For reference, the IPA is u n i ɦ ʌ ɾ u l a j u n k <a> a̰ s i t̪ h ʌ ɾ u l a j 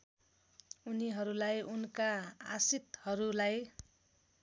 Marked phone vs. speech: correct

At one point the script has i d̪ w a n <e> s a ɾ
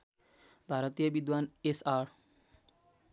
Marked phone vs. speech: correct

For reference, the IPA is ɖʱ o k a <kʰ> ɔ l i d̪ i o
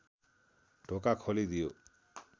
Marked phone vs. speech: correct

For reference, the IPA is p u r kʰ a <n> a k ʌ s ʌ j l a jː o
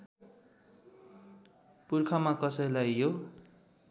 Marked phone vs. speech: incorrect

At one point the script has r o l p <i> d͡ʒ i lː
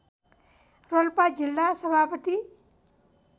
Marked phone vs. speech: incorrect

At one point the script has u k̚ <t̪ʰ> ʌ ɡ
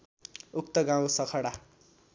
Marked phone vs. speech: incorrect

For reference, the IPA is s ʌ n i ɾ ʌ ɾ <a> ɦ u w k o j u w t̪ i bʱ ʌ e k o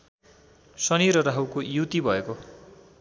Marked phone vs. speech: correct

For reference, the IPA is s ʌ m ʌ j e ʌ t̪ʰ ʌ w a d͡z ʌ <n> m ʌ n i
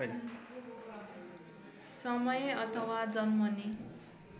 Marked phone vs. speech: correct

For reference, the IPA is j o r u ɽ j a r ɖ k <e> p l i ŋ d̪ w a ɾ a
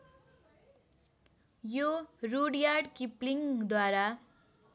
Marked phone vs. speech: incorrect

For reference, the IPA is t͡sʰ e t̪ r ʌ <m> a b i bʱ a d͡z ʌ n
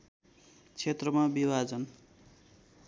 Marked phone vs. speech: correct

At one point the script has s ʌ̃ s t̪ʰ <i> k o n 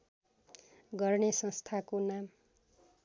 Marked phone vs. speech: incorrect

